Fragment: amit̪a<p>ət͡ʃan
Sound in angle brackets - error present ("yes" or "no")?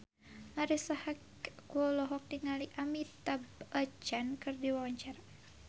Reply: yes